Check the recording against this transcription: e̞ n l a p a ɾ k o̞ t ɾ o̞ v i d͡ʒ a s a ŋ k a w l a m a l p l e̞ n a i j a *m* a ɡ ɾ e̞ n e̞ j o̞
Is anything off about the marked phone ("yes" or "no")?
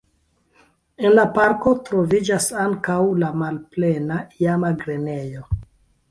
no